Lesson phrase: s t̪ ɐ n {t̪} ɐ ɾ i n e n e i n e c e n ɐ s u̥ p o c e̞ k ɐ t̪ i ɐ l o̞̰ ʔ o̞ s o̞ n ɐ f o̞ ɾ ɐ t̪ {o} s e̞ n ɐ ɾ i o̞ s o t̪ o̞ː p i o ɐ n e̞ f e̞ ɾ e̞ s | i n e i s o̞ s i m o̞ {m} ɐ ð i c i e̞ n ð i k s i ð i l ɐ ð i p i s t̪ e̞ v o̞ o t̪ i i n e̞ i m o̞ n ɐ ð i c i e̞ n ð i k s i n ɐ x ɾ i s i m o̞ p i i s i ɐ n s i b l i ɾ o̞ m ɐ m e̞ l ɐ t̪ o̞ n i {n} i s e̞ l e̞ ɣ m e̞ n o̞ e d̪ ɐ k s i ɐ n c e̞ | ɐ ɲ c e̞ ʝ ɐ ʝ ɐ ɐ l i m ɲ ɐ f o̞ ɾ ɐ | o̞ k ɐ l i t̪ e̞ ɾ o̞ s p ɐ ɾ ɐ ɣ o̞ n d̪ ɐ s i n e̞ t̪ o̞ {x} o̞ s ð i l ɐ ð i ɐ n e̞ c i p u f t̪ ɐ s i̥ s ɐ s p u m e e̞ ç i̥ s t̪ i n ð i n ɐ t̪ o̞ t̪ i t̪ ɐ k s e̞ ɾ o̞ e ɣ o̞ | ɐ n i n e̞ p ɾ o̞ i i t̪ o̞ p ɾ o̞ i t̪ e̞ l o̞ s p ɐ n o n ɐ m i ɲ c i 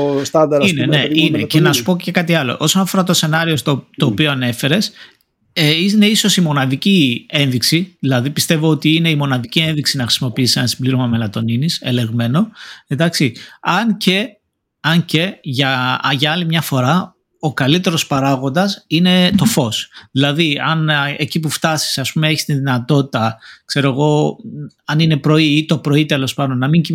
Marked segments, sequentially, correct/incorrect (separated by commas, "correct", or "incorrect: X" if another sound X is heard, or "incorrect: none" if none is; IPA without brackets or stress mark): incorrect: d̪, correct, incorrect: n, correct, incorrect: f